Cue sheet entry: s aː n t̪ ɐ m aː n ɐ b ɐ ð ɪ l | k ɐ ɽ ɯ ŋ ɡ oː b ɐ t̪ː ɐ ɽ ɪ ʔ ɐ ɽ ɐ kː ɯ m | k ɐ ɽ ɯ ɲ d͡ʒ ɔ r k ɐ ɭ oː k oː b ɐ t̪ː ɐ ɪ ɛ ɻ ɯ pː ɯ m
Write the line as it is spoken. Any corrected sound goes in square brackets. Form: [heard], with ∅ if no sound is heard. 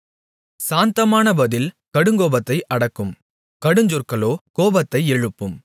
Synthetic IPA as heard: s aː n t̪ ɐ m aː n ɐ b ɐ ð ɪ l | k ɐ ɽ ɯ ŋ ɡ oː b ɐ t̪ː ɐ [∅] ɪ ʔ ɐ ɽ ɐ kː ɯ m | k ɐ ɽ ɯ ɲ d͡ʒ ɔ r k ɐ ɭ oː k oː b ɐ t̪ː ɐ ɪ ɛ ɻ ɯ pː ɯ m